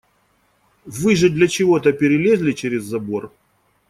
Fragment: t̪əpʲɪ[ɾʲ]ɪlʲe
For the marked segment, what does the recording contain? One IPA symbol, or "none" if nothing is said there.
ɾʲ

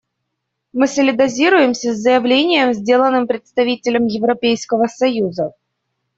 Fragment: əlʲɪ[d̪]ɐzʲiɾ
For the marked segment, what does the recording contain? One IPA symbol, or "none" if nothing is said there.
d̪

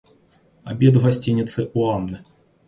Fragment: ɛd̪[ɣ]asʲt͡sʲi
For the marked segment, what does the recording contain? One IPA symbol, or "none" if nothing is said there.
ɣ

